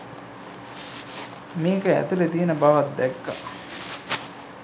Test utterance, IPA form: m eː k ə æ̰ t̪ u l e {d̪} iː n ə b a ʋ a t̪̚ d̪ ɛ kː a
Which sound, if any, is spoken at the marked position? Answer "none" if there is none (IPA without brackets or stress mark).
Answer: t̪